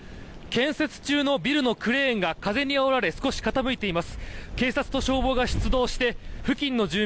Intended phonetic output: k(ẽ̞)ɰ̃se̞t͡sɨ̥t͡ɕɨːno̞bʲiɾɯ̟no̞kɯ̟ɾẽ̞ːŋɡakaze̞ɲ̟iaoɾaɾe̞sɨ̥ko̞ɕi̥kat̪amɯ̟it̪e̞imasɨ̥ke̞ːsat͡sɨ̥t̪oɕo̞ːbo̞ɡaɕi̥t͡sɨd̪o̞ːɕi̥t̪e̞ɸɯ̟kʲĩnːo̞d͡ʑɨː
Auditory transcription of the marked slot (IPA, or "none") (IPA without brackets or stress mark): ẽ̞